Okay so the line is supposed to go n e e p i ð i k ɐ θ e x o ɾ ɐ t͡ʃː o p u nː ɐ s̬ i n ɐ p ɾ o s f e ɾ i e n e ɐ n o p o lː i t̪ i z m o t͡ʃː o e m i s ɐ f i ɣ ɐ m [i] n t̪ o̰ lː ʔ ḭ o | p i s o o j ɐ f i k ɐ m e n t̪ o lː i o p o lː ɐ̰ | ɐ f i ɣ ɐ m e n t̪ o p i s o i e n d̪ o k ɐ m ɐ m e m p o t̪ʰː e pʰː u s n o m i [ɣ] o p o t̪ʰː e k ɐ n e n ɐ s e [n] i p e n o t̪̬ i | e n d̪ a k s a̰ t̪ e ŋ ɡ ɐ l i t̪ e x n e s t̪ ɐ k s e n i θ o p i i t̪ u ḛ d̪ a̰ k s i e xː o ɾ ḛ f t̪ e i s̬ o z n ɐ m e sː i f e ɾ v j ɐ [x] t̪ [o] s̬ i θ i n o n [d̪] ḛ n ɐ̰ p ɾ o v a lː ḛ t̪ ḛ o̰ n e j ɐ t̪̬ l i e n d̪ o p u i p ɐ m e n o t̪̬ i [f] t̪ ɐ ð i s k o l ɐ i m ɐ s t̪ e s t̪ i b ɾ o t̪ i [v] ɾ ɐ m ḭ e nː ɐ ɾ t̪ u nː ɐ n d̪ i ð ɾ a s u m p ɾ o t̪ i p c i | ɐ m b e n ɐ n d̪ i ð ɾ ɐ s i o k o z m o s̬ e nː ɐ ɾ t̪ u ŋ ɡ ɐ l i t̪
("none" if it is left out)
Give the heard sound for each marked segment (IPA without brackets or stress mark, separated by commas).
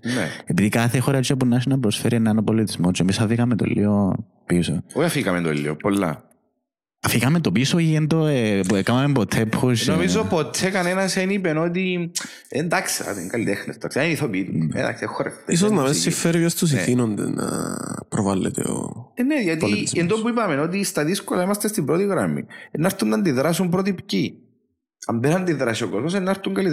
e, z, n, s, u, d̪, s, ɣ